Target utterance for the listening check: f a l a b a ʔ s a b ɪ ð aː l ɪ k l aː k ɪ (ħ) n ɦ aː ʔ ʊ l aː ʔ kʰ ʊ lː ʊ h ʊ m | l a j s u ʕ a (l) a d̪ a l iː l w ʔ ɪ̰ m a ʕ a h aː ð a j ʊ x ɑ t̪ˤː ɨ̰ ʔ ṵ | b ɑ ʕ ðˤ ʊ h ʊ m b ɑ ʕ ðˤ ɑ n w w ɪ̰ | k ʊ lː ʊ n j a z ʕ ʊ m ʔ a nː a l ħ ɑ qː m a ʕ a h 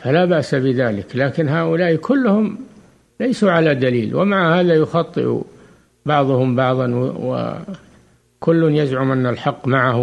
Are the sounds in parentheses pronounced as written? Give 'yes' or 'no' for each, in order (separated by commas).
no, yes